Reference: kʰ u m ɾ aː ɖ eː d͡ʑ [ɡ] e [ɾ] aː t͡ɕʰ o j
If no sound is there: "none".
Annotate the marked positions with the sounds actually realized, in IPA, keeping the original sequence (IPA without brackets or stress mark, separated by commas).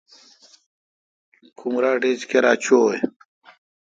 k, ɾ